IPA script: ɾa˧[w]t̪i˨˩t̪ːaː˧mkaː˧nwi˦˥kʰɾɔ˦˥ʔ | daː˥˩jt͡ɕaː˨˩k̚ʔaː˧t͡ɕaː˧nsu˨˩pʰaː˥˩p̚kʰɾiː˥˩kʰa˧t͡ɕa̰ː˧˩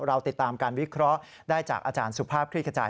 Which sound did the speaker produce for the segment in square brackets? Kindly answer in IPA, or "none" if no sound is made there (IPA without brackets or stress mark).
w